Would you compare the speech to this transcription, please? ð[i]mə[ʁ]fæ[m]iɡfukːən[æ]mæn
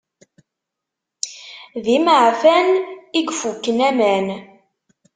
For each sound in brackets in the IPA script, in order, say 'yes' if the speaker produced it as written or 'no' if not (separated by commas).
yes, no, no, yes